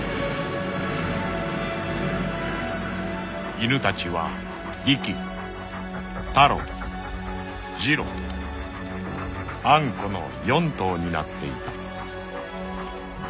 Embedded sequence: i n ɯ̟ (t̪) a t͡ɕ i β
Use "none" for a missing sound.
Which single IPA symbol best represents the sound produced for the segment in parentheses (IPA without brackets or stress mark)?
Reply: t̪